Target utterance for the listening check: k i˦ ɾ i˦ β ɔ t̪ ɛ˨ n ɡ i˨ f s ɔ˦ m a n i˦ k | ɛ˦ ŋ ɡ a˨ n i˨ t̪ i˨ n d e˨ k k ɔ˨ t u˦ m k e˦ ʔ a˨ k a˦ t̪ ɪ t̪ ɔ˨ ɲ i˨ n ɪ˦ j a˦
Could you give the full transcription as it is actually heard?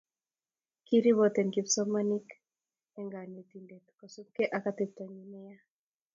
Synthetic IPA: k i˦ ɾ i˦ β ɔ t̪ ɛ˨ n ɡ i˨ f s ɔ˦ m a n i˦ k | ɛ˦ ŋ ɡ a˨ n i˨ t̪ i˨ n d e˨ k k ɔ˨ s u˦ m k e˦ ʔ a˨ k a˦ t̪ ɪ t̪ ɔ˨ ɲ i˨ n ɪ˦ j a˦